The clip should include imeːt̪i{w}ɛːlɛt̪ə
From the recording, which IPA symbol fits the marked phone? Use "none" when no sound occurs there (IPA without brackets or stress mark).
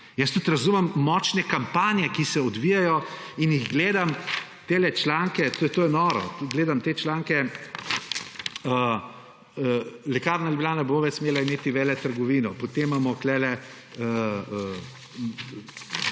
ʋ